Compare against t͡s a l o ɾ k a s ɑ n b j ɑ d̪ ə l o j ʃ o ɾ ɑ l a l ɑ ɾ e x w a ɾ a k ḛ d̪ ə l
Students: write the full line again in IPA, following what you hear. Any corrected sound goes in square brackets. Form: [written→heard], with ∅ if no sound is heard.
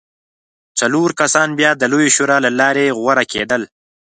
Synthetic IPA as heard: t͡s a l o ɾ k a s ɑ n b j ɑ d̪ ə l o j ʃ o ɾ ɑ l a l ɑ ɾ e [x→ɣ] w a ɾ a k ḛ d̪ ə l

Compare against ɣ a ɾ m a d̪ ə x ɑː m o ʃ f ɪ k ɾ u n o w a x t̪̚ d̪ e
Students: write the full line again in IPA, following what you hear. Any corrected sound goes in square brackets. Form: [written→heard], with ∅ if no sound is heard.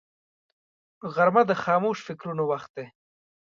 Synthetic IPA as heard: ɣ a ɾ m a d̪ ə x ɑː m o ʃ f ɪ k ɾ u n o w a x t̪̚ d̪ e

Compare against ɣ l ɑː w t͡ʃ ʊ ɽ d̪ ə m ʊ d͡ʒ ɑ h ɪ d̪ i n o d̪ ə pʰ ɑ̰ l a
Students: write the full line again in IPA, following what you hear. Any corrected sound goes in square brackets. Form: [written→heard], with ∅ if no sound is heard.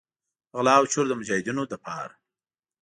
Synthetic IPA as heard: ɣ l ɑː w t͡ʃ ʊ [ɽ→ɾ] d̪ ə m ʊ d͡ʒ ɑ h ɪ d̪ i n o d̪ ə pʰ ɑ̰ [l→ɾ] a

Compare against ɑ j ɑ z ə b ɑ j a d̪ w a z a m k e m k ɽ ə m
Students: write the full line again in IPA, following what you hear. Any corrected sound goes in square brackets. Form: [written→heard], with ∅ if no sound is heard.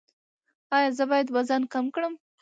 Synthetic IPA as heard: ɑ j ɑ z ə b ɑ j a d̪ w a z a [m→n] k [e→a] m k ɽ ə m

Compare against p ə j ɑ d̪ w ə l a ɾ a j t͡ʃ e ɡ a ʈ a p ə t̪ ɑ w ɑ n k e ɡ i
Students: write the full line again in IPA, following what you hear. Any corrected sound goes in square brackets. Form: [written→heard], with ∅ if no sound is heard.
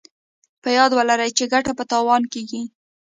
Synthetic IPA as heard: p ə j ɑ d̪ w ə l a ɾ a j t͡ʃ e ɡ a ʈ a p ə t̪ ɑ w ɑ n k e ɡ i

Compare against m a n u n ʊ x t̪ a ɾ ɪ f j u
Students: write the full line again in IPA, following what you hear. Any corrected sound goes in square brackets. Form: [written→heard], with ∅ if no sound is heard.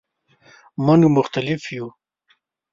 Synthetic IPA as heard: m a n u [n→m] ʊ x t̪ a [ɾ→l] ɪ f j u

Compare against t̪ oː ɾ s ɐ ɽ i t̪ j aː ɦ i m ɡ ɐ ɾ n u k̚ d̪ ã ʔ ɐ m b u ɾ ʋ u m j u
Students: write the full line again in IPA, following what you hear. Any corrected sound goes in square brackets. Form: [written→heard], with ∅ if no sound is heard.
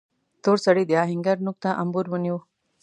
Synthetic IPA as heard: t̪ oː ɾ s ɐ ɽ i [t̪→d̪] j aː ɦ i [m→ŋ] ɡ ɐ ɾ n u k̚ [d̪→t̪] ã ʔ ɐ m b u ɾ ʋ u [m→n] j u

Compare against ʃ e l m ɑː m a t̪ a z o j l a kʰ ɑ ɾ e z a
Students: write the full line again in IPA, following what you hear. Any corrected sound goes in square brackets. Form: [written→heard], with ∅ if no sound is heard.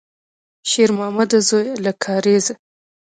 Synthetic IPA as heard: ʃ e [l→ɾ] m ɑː m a [t̪→d̪] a z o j l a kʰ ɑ ɾ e z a

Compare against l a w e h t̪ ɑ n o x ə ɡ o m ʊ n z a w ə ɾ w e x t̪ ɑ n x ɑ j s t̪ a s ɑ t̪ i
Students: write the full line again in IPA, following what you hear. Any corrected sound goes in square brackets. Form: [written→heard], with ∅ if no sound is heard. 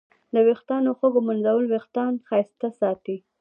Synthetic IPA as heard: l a w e [h→x] t̪ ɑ n o x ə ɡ o m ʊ n z a w ə [ɾ→l] w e x t̪ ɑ n x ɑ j s t̪ a s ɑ t̪ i

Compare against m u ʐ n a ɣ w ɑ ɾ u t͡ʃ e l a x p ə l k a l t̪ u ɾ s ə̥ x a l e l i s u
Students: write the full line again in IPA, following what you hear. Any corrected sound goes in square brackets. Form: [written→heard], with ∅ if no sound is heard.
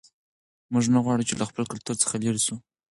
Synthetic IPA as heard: m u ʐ n a ɣ w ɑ [ɾ→ɽ] u t͡ʃ e l a x p ə l k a l t̪ u ɾ [s→t͡s] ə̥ x a l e [l→ɾ] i s u

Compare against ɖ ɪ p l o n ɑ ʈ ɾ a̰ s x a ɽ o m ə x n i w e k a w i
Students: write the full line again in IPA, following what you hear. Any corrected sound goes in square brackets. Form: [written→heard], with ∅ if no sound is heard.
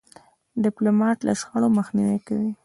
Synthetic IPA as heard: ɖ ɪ p l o [n→m] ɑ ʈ [ɾ→l] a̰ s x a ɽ o m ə x n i w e k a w i

